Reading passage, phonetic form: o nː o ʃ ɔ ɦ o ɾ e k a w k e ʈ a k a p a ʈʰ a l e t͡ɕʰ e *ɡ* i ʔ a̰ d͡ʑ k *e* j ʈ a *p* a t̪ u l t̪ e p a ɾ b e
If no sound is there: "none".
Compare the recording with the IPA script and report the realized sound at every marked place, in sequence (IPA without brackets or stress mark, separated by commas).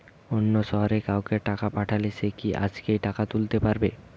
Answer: k, e, k